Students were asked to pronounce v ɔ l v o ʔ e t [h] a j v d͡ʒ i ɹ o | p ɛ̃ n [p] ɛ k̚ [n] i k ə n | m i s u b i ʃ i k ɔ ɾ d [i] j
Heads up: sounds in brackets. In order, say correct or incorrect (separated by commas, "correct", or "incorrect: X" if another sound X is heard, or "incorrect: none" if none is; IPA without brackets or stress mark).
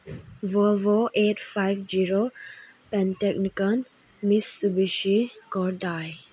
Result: incorrect: f, incorrect: t, correct, incorrect: a